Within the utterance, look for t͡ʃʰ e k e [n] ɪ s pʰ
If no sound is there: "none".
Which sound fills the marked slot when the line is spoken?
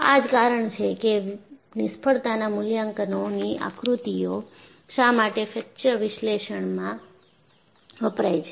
n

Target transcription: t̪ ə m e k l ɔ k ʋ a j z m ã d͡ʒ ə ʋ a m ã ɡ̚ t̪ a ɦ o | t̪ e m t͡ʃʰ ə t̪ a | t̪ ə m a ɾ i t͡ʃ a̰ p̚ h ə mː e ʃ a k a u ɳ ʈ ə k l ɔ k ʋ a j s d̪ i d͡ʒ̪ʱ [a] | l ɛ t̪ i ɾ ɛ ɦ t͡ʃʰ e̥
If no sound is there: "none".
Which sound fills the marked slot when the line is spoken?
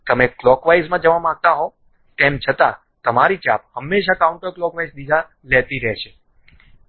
a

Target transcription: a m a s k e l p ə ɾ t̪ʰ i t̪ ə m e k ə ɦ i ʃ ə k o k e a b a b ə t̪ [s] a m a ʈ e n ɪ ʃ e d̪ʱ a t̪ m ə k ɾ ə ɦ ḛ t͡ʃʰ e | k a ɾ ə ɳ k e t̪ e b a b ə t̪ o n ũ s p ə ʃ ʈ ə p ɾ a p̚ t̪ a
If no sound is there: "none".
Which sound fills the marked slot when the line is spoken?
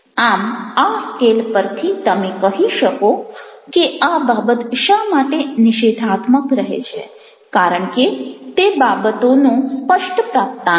ʃ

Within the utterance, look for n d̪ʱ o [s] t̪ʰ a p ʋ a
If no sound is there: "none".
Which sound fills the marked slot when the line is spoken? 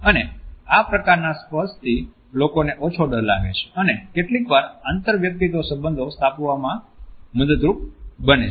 s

